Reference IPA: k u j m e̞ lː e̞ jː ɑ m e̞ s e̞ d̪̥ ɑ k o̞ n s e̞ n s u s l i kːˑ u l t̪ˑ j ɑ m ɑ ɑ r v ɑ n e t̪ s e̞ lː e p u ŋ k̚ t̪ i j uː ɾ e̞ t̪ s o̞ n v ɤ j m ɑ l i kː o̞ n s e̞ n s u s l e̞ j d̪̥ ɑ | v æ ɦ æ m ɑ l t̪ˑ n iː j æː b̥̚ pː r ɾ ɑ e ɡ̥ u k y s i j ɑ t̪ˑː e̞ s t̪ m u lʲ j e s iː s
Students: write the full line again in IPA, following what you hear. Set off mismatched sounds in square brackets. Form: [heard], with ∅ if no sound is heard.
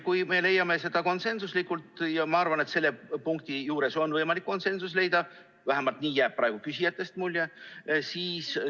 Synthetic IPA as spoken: k u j m e̞ [l] e̞ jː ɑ m e̞ s e̞ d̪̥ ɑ k o̞ n s e̞ n s u s l i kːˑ u l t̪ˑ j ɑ m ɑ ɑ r v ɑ n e t̪ s e̞ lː e p u ŋ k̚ t̪ i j uː ɾ e̞ [∅] s o̞ n v ɤ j m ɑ l i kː o̞ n s e̞ n s u s l e̞ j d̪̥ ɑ | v æ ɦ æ m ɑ l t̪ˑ n iː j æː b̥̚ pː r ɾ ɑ e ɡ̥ u k y s i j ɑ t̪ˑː e̞ s t̪ m u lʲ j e s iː s